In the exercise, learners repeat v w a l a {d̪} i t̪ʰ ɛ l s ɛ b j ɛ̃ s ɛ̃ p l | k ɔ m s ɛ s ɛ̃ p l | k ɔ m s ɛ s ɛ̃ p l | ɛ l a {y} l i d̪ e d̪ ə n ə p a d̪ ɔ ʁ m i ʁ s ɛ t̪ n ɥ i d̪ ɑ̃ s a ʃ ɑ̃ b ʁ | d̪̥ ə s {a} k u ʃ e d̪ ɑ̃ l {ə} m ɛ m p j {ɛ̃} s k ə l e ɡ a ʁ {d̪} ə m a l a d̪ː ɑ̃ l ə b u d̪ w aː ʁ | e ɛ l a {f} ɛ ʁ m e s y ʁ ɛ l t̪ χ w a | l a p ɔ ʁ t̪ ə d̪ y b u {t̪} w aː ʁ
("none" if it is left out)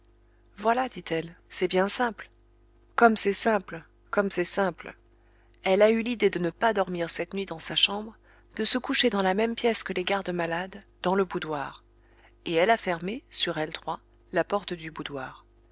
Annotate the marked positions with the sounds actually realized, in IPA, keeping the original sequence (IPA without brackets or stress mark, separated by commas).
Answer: d̪, y, ə, a, ɛ, d̪, f, d̪